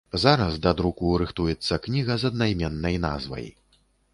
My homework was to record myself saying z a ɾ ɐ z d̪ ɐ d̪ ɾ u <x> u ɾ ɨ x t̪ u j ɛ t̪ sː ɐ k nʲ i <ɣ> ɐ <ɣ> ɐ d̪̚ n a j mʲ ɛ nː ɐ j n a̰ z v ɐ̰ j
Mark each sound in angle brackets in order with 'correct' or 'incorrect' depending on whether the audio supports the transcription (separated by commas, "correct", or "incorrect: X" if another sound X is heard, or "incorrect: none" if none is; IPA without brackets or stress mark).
incorrect: k, correct, incorrect: z